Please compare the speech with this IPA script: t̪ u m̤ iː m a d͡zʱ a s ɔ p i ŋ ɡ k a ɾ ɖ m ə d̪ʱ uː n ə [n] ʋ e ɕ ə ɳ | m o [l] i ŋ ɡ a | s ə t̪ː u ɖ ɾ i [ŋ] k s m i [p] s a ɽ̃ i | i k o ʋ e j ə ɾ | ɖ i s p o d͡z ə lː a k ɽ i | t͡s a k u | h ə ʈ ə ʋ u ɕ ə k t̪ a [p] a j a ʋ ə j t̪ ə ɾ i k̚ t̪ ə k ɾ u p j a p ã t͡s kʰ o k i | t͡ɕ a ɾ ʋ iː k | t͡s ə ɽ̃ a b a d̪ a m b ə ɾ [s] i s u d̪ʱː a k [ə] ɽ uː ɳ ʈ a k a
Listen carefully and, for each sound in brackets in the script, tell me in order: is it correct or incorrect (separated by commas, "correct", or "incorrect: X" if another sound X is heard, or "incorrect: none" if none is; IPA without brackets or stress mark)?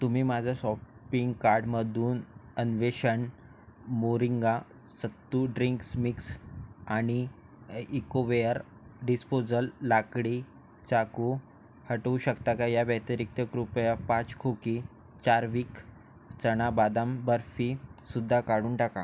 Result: correct, incorrect: ɾ, correct, incorrect: k, incorrect: k, incorrect: f, incorrect: a